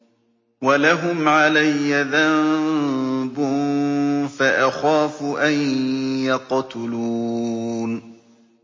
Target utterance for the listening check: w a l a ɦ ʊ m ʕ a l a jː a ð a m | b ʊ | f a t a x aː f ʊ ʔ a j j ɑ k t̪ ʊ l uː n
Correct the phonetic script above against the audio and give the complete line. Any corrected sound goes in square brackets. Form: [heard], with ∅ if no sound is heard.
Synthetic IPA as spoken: w a l a ɦ ʊ m ʕ a l a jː a ð a m | b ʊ | f a [ʔ] a x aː f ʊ ʔ a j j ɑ [q] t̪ ʊ l uː n